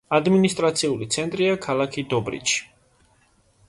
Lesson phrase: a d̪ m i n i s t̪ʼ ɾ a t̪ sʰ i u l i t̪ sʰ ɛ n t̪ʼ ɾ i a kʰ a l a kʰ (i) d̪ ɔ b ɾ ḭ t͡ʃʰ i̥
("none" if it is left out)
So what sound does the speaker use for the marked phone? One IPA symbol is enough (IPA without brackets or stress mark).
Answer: i